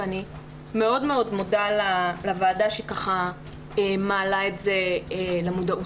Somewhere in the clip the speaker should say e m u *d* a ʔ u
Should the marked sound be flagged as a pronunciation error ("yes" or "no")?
no